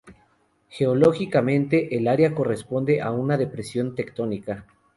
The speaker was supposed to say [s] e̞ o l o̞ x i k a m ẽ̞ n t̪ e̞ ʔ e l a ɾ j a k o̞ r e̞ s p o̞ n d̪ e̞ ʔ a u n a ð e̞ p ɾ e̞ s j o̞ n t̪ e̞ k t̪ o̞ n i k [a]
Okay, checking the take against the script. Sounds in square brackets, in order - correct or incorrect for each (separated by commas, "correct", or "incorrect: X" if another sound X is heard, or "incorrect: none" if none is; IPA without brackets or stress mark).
incorrect: x, correct